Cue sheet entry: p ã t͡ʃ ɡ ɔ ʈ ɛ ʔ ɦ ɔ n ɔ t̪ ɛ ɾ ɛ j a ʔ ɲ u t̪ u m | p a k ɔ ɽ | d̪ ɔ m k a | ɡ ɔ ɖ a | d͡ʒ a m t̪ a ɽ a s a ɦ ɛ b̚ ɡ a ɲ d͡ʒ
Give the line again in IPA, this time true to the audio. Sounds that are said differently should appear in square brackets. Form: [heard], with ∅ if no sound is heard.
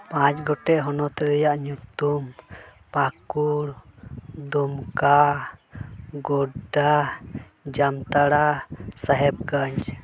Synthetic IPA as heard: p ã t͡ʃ ɡ ɔ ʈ ɛ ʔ ɦ ɔ n ɔ t̪ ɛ ɾ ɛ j a ʔ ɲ u t̪ u m | p a k [u] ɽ | d̪ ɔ m k a | ɡ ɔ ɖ a | d͡ʒ a m t̪ a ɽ a s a ɦ ɛ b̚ ɡ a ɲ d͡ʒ